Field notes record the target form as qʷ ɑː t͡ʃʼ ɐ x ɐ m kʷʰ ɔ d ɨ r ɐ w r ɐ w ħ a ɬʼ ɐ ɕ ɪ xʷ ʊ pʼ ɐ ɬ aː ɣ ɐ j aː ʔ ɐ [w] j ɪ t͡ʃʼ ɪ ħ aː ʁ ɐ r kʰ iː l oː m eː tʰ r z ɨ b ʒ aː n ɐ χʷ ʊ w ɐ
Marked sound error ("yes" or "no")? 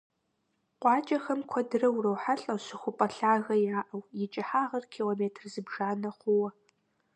no